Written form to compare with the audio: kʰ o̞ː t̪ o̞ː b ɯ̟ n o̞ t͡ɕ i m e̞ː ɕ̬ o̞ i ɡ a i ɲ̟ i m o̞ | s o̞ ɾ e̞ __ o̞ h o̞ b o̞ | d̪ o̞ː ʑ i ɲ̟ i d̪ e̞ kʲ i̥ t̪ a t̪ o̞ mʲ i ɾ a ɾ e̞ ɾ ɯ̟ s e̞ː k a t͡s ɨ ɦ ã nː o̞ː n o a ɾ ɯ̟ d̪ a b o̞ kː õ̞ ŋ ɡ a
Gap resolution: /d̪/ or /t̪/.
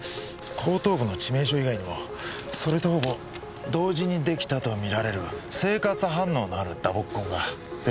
t̪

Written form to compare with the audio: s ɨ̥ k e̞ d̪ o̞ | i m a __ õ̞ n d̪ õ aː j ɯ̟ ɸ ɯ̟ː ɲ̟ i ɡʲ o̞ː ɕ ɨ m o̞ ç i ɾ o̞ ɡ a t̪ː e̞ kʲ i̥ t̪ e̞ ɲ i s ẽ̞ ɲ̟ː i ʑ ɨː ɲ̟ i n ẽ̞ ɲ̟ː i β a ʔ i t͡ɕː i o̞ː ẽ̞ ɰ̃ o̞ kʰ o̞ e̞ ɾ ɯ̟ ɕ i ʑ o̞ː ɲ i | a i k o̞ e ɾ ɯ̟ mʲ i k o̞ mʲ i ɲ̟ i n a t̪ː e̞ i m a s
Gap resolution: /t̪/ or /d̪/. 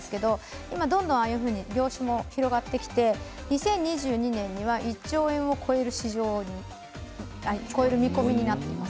d̪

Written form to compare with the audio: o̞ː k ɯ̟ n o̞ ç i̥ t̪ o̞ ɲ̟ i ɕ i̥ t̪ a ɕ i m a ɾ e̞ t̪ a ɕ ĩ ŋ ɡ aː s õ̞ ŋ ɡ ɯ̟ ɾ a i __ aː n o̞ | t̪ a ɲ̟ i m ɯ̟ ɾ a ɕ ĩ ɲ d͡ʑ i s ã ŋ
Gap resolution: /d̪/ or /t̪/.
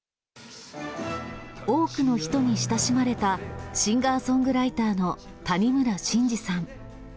t̪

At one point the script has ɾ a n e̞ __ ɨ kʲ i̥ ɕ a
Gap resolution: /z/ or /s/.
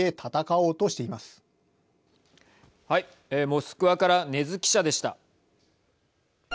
z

